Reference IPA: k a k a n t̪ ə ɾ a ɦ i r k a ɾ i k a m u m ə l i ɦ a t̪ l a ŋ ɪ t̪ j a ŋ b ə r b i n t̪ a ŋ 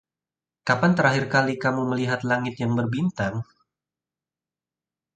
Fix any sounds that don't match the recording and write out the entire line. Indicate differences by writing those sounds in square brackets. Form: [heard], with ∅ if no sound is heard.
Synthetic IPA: k a [p] a n t̪ ə ɾ a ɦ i r k a [l] i k a m u m ə l i ɦ a t̪ l a ŋ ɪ t̪ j a ŋ b ə r b i n t̪ a ŋ